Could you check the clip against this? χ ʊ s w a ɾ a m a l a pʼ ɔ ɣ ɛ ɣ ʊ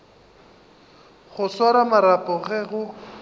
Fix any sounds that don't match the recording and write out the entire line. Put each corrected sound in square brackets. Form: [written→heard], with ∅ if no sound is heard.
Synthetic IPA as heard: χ ʊ s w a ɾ a m a [l→ɾ] a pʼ ɔ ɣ ɛ ɣ ʊ